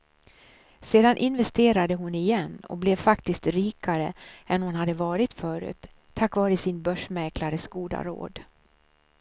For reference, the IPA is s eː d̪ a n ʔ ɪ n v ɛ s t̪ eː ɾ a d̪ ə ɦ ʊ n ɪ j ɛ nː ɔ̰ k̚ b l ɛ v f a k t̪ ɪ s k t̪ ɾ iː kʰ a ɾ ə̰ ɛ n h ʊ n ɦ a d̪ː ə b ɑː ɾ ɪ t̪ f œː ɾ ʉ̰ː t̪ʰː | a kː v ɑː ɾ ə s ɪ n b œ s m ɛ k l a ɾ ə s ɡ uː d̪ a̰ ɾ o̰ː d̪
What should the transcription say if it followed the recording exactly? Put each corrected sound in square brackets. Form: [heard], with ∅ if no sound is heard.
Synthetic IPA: s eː d̪ a n ʔ ɪ n v ɛ s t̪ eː ɾ a d̪ ə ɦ ʊ n ɪ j ɛ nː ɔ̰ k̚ b l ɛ v f a k t̪ ɪ s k t̪ ɾ iː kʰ a ɾ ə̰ ɛ n h ʊ n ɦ a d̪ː ə [v] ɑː ɾ ɪ t̪ f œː ɾ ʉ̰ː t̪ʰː | a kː v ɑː ɾ ə s ɪ n b œ [ʂ] m ɛ k l a ɾ ə s ɡ uː d̪ a̰ ɾ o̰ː d̪